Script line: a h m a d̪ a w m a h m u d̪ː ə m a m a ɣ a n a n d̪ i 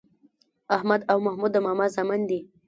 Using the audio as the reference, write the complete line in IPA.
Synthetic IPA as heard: a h m a d̪ a w m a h m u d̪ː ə m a m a z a m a n d̪ i